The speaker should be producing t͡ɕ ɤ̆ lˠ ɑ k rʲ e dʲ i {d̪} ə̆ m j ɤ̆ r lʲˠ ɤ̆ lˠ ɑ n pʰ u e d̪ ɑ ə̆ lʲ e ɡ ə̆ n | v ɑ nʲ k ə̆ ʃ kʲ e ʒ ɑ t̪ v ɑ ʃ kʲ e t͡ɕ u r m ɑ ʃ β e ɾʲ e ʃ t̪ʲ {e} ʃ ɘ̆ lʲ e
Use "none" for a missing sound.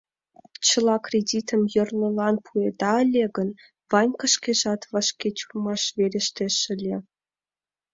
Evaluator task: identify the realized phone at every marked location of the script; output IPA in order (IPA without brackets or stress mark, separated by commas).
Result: t̪, e